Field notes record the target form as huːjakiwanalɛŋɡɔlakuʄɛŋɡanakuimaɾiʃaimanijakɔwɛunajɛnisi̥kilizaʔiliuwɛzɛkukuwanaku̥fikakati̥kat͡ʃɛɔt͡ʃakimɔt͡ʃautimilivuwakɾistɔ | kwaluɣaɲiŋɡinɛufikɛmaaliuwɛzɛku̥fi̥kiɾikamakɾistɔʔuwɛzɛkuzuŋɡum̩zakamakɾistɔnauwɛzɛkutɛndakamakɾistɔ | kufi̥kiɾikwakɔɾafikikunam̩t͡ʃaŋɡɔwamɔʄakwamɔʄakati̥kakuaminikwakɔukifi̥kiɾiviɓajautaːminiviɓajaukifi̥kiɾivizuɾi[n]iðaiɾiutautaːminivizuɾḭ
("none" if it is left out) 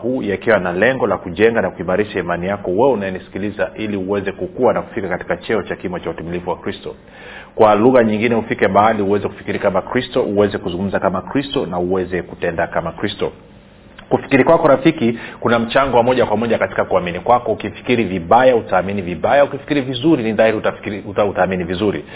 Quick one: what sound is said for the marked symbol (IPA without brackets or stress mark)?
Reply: n